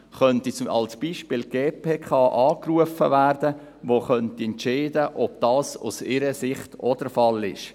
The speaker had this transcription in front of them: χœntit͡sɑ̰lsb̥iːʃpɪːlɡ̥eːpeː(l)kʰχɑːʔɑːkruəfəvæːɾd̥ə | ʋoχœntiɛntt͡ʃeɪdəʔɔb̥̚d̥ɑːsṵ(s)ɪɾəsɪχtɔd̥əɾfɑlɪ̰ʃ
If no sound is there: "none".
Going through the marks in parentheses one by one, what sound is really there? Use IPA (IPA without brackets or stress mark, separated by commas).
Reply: none, s